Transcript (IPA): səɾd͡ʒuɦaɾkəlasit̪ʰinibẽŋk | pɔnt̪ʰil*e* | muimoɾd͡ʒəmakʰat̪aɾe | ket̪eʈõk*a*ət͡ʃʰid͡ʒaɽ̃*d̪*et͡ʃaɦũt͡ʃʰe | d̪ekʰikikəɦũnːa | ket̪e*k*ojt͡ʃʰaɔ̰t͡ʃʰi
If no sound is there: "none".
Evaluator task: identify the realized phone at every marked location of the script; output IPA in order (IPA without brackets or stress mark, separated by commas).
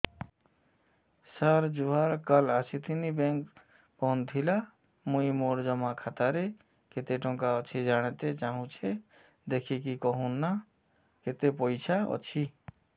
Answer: a, a, t̪, p